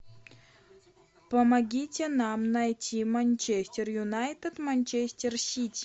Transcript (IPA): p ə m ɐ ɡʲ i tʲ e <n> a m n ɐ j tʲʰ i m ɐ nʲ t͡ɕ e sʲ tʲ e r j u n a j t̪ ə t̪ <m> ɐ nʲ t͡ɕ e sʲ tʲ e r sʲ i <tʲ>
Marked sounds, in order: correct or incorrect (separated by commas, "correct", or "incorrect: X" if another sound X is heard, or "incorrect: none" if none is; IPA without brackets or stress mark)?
correct, correct, correct